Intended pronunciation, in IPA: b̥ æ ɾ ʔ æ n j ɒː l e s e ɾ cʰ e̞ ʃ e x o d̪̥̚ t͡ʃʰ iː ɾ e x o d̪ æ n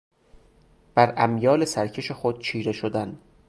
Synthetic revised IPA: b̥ æ ɾ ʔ æ m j ɒː l e s æ ɾ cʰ e̞ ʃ e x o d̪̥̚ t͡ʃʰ iː ɾ e ʃ o d̪ æ n